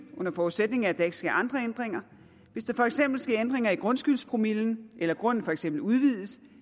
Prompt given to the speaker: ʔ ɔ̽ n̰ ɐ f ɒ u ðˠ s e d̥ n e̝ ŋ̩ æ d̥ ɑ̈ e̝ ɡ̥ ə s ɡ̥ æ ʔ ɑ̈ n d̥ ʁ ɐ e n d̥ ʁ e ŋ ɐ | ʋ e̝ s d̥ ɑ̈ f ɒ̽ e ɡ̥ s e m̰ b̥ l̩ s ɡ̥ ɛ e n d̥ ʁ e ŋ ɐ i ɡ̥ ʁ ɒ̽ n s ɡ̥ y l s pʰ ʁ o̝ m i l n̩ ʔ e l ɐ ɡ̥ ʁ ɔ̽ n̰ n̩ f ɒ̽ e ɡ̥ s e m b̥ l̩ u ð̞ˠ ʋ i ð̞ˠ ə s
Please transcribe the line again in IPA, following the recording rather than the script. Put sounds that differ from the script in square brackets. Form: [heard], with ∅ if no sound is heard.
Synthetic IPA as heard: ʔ ɔ̽ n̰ ɐ f ɒ u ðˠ s e d̥ n e̝ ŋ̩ æ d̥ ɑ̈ e̝ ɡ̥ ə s ɡ̥ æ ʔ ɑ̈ n d̥ ʁ ɐ e n d̥ ʁ e ŋ ɐ | ʋ e̝ s d̥ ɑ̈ f ɒ̽ e ɡ̥ s e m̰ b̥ l̩ s ɡ̥ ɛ e n d̥ ʁ e ŋ ɐ i ɡ̥ ʁ [ɔ̽] n s ɡ̥ y l s pʰ ʁ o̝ m i l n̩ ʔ e l ɐ ɡ̥ ʁ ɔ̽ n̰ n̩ f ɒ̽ e ɡ̥ s e m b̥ l̩ u ð̞ˠ ʋ i ð̞ˠ ə s